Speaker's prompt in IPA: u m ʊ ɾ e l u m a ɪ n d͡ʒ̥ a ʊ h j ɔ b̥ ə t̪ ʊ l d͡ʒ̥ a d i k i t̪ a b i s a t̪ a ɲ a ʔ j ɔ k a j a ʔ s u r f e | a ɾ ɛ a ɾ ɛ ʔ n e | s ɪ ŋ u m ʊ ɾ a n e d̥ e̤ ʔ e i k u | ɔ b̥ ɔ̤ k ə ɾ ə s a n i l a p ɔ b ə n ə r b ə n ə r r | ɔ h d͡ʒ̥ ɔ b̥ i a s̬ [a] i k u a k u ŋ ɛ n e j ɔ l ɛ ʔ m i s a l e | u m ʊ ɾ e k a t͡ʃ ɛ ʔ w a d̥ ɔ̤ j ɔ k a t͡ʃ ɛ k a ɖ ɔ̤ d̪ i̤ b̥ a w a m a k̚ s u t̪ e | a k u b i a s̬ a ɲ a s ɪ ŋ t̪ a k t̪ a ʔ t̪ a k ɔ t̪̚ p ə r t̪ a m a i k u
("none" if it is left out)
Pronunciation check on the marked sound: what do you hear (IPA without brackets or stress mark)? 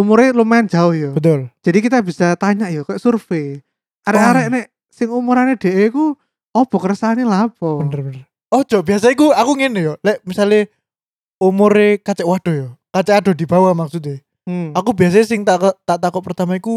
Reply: a